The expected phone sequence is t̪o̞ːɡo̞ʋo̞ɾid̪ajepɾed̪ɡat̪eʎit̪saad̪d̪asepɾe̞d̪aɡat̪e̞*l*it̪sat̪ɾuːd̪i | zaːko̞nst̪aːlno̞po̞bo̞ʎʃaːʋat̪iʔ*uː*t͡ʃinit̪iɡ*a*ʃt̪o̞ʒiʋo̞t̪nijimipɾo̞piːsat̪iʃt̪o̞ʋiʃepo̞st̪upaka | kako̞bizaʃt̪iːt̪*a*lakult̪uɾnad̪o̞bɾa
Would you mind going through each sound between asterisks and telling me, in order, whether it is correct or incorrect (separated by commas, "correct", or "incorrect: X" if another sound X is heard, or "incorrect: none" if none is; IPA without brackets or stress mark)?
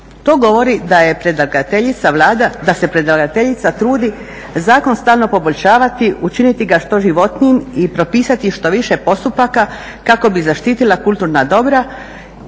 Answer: incorrect: ʎ, incorrect: u, correct, incorrect: i